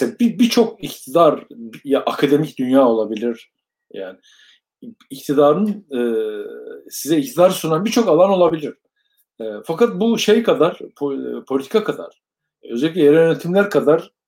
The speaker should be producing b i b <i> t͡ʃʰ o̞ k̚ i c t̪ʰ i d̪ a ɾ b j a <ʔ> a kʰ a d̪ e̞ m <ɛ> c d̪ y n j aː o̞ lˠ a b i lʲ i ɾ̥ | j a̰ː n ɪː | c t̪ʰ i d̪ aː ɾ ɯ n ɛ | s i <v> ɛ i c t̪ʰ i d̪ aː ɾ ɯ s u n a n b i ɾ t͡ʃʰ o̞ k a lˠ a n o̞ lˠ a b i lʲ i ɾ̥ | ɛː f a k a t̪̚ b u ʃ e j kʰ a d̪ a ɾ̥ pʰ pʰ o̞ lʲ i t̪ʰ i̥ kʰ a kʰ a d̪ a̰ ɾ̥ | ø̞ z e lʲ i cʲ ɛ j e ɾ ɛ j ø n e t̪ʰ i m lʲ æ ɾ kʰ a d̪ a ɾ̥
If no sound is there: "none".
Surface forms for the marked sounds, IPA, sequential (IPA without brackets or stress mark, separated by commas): i, ʔ, i, z